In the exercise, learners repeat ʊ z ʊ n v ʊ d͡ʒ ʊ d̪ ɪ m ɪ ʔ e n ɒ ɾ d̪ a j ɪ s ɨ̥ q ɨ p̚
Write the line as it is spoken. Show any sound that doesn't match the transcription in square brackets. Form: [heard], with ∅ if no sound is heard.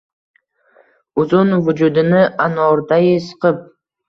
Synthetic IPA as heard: ʊ z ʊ n v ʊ d͡ʒ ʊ d̪ ɪ [n] ɪ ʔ [a] n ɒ ɾ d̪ a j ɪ s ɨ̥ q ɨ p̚

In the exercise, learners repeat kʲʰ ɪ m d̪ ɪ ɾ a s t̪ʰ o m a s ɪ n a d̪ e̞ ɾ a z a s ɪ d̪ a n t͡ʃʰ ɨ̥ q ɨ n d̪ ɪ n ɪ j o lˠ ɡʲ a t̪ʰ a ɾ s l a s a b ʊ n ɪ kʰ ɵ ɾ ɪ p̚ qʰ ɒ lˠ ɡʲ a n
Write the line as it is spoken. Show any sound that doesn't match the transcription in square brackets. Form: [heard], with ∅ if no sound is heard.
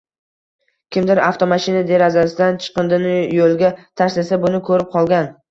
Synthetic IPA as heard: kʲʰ ɪ m d̪ ɪ ɾ a [f] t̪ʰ o m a [ʃ] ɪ n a d̪ e̞ ɾ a z a s ɪ d̪ a n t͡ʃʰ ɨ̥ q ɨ n d̪ ɪ n ɪ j o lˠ ɡʲ a t̪ʰ a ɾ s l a s a b ʊ n ɪ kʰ ɵ ɾ ɪ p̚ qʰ ɒ lˠ ɡʲ a n

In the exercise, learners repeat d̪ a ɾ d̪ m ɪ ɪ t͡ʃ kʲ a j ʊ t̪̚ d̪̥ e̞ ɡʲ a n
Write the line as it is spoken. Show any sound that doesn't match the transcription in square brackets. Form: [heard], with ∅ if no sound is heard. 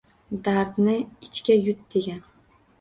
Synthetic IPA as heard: d̪ a ɾ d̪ [n] ɪ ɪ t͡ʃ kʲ a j ʊ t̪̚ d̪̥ e̞ ɡʲ a n

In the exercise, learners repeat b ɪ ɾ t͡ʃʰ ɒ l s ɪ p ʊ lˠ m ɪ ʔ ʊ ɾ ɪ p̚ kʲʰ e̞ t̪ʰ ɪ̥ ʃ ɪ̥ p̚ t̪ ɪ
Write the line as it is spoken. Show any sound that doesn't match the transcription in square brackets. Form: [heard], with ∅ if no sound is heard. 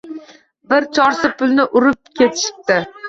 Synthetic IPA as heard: b ɪ ɾ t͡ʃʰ ɒ [ɾ] s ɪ p ʊ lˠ [n] ɪ ʔ ʊ ɾ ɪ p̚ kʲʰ e̞ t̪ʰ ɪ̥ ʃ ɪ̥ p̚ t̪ ɪ

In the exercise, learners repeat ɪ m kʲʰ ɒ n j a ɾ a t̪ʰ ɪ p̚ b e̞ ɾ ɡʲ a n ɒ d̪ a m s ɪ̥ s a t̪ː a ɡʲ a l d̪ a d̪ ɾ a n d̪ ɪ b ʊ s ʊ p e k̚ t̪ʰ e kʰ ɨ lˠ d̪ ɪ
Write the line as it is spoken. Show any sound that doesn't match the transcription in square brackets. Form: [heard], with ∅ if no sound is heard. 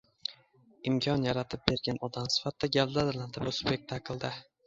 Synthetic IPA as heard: ɪ m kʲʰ ɒ n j a ɾ a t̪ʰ ɪ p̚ b e̞ ɾ ɡʲ a n ɒ d̪ a m s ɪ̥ [f] a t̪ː a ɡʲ a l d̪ a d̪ [l] a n d̪ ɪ b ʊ s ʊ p e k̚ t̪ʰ [a] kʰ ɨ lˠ d̪ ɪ

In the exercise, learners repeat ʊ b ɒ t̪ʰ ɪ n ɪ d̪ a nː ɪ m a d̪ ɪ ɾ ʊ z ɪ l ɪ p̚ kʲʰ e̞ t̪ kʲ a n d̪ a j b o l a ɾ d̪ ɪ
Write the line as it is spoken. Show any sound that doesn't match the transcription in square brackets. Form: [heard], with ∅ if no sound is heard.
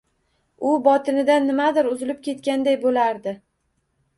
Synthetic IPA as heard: ʊ b ɒ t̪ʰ ɪ n ɪ d̪ a nː ɪ m a d̪ ɪ ɾ ʊ z ɪ l ɪ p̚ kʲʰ e̞ t̪ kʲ a n d̪ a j b o l a ɾ d̪ ɪ

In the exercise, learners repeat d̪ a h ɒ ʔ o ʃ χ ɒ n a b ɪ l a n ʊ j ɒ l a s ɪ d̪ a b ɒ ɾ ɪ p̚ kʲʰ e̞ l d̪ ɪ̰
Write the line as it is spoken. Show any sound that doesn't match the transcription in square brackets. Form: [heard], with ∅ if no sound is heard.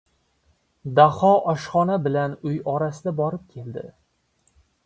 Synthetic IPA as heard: d̪ a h ɒ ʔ [ɒ] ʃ χ ɒ n a b ɪ l a n ʊ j ɒ [ɾ] a s ɪ d̪ a b ɒ ɾ ɪ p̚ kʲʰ e̞ l d̪ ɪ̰

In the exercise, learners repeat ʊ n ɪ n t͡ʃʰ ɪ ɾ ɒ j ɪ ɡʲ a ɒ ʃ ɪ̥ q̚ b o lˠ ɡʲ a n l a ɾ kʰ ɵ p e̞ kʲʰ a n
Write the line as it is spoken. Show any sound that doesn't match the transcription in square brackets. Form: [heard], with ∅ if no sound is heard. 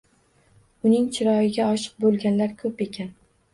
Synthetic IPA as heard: ʊ n ɪ [ŋ] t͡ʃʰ ɪ ɾ ɒ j ɪ ɡʲ a ɒ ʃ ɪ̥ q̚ b o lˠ ɡʲ a n l a ɾ kʰ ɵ p e̞ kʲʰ a n

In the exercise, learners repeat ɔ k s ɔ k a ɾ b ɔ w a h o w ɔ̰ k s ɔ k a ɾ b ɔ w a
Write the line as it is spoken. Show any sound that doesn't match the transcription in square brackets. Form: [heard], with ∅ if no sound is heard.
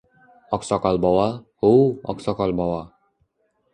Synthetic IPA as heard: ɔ k s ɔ k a [l] b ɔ w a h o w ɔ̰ k s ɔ k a [l] b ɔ w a

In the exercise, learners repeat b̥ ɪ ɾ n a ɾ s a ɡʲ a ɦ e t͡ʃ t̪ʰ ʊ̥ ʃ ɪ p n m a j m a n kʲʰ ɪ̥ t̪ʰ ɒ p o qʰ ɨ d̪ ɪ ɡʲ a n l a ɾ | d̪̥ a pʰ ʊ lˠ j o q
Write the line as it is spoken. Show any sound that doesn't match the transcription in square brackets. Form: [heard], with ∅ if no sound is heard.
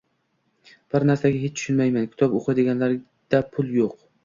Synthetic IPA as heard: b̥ ɪ ɾ n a ɾ s a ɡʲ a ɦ e t͡ʃ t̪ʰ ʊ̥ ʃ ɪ [∅] n m a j m a n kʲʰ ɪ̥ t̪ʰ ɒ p o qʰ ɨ d̪ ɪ ɡʲ a n l a ɾ | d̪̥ a pʰ ʊ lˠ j o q

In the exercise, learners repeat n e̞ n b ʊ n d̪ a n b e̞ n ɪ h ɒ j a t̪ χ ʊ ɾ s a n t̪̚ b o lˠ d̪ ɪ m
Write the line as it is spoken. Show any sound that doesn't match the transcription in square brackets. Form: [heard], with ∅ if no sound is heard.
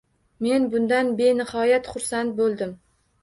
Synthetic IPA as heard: [m] e̞ n b ʊ n d̪ a n b e̞ n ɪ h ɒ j a t̪ χ ʊ ɾ s a n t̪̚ b o lˠ d̪ ɪ m

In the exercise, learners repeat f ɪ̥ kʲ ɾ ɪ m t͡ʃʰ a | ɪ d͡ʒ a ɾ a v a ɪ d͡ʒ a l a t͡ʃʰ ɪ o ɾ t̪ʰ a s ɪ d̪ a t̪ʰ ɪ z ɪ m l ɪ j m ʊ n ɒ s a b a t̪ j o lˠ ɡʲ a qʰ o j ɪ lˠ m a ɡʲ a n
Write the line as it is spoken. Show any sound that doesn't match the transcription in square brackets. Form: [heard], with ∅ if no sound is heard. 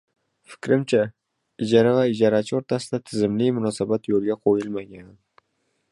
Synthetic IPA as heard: f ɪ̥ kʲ ɾ ɪ m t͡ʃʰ a | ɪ d͡ʒ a ɾ a v a ɪ d͡ʒ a [ɾ] a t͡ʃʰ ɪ o ɾ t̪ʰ a s ɪ d̪ a t̪ʰ ɪ z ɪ m l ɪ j m ʊ n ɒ s a b a t̪ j o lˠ ɡʲ a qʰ o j ɪ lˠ m a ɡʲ a n

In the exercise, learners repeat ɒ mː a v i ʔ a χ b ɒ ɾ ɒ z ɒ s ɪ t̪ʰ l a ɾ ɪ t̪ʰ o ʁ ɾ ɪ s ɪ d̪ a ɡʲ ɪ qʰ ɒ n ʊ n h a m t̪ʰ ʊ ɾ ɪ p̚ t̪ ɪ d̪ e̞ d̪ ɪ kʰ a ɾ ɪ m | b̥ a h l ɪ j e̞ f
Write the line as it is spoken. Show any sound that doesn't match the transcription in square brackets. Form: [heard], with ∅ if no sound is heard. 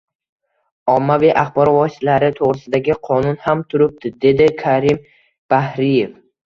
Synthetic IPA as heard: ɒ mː a v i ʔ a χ b ɒ ɾ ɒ [v] ɒ s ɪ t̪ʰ l a ɾ ɪ t̪ʰ o ʁ ɾ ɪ s ɪ d̪ a ɡʲ ɪ qʰ ɒ n ʊ n h a m t̪ʰ ʊ ɾ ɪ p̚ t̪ ɪ d̪ e̞ d̪ ɪ kʰ a ɾ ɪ m | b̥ a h [ɾ] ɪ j e̞ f

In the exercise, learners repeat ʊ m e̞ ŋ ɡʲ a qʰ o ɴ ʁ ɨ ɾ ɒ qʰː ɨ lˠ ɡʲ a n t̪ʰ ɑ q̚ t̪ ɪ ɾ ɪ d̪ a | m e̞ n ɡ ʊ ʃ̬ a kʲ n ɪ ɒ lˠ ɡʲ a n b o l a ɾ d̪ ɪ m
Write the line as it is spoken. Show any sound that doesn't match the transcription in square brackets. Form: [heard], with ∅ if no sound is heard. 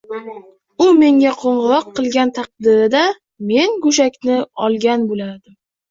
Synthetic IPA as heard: ʊ m e̞ ŋ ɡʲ a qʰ o ɴ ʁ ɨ ɾ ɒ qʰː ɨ lˠ ɡʲ a n t̪ʰ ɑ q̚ [d̪] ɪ ɾ ɪ d̪ a | m e̞ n ɡ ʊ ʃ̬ a kʲ n ɪ ɒ lˠ ɡʲ a n b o l a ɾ d̪ ɪ m

